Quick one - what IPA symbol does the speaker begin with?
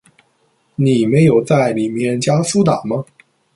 n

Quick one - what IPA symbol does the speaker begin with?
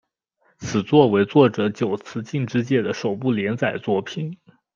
t͡sʰ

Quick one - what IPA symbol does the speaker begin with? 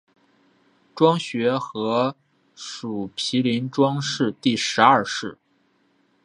ʈ͡ʂ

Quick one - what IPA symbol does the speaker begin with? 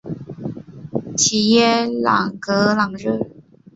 t͡ɕʰ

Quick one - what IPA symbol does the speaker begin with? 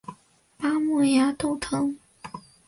p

